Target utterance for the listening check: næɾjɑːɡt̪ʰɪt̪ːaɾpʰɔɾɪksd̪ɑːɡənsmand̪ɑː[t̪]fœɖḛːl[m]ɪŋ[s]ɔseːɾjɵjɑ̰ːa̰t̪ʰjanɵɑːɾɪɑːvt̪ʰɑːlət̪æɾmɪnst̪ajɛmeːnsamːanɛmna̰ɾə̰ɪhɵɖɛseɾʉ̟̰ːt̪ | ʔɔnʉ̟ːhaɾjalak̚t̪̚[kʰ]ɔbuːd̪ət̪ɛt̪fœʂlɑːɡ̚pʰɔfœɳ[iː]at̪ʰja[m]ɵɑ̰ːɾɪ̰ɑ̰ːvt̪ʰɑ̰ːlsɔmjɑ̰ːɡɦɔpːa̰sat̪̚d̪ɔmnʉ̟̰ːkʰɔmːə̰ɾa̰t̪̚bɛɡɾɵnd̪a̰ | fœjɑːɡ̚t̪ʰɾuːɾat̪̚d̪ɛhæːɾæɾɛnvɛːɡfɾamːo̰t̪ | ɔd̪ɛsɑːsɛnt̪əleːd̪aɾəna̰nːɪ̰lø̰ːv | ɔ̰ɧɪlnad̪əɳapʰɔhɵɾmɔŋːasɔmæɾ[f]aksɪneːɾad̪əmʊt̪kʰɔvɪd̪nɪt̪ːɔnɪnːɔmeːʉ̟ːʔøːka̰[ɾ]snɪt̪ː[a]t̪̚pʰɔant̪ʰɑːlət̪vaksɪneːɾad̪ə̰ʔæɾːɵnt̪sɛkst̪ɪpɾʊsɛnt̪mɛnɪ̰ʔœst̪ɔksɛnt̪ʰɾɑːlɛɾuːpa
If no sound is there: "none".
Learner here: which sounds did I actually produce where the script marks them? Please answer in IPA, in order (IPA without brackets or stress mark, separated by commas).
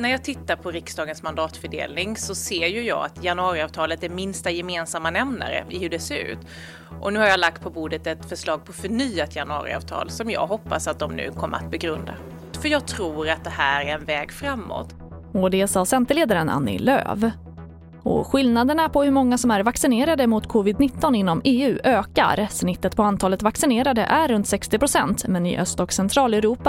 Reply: t̪, n, s, pʰ, yː, n, v, ɾ, ə